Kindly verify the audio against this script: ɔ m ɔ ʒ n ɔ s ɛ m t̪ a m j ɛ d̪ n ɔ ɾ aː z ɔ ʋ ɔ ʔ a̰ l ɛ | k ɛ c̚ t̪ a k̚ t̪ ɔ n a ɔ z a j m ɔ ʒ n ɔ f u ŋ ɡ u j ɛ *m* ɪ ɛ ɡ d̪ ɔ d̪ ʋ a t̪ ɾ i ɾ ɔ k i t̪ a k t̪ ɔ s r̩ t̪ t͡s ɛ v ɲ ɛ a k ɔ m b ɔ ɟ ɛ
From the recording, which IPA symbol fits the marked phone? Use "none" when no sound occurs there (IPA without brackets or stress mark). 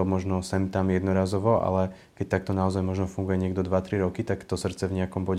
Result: ɲ